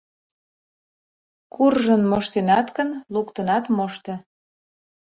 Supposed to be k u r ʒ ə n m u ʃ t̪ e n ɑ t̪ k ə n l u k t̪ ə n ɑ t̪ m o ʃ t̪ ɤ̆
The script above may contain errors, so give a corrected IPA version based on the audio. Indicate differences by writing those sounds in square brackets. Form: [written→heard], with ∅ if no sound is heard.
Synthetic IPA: k u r ʒ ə n m [u→o] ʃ t̪ e n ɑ t̪ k ə n l u k t̪ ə n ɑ t̪ m o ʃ t̪ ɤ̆